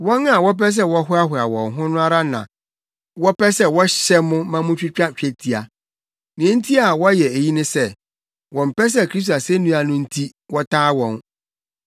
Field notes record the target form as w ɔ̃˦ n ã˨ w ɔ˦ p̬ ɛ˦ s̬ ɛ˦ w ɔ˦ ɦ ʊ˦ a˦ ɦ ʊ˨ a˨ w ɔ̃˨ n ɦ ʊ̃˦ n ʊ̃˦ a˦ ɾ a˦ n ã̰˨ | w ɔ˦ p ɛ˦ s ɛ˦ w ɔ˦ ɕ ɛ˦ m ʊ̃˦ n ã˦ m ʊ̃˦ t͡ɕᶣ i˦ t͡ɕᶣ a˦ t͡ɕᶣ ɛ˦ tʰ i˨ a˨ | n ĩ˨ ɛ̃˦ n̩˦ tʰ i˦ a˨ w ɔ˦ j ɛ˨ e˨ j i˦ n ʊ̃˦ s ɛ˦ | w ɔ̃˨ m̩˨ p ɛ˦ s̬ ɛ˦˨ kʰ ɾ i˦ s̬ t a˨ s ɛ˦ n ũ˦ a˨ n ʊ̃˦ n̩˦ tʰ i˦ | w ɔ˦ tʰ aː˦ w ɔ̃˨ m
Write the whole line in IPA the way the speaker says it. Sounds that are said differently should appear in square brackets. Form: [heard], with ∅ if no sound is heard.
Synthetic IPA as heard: w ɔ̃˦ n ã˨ w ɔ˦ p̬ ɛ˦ s̬ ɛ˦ w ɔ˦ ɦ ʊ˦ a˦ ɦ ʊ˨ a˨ w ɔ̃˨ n ɦ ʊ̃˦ n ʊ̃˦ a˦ ɾ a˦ n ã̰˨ | w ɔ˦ p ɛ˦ s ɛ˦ w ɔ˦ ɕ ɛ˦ m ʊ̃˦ [m] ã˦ m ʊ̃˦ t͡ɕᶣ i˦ t͡ɕᶣ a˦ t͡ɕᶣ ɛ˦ tʰ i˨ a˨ | n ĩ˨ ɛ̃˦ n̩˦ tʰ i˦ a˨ w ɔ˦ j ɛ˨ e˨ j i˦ n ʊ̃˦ s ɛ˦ | w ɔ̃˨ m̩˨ p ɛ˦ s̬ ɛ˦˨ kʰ ɾ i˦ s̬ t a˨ s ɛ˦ n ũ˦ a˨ n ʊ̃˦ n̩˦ tʰ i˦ | w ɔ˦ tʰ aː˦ w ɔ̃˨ [n]